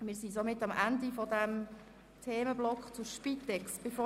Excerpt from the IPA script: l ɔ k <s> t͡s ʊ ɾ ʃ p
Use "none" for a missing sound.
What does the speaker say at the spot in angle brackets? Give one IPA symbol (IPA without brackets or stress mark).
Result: χ